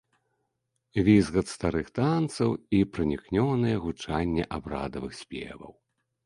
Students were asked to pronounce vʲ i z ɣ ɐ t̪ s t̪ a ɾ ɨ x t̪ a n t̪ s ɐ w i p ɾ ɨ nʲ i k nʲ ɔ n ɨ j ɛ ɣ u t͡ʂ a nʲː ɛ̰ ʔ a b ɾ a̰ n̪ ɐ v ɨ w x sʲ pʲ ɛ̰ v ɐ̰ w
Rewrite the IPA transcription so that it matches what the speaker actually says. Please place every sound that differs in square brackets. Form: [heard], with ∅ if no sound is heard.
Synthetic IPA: vʲ i z ɣ ɐ t̪ s t̪ a ɾ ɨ x t̪ a n t̪ s ɐ w i p ɾ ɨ nʲ i k nʲ ɔ n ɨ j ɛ ɣ u t͡ʂ a nʲː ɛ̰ ʔ a b ɾ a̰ [d̪] ɐ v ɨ [∅] x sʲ pʲ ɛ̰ v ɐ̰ w